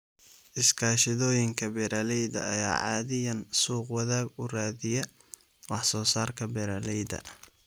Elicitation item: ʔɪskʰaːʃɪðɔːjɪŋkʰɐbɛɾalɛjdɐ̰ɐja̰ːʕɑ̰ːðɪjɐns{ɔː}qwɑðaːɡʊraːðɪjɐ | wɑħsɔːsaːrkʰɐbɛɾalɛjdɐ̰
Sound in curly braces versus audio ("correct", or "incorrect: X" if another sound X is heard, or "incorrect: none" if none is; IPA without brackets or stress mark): incorrect: uː